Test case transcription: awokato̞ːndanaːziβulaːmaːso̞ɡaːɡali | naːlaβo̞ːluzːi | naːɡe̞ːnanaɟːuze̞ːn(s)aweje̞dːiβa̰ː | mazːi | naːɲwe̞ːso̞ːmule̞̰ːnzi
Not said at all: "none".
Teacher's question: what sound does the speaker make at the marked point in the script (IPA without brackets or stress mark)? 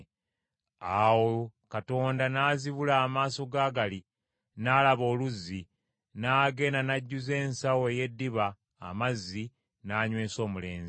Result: s